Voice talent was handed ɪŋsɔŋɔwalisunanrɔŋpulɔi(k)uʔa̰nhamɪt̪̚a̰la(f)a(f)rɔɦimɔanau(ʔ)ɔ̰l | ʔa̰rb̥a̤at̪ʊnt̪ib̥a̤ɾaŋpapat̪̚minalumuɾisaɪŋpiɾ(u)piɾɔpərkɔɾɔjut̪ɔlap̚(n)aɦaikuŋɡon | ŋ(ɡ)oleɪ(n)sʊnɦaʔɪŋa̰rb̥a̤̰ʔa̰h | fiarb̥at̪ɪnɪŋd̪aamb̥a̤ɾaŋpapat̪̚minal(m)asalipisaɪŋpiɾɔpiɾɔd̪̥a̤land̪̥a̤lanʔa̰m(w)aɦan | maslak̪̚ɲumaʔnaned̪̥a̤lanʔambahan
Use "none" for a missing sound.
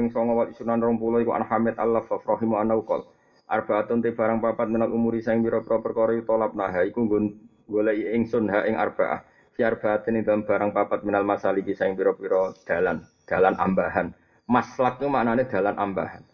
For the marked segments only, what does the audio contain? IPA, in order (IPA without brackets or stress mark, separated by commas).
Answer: k, f, f, k, ɔ, n, ɡ, ŋ, m, b